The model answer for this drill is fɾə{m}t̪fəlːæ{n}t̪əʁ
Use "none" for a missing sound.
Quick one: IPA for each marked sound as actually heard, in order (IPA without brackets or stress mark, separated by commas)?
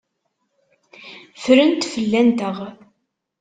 n, n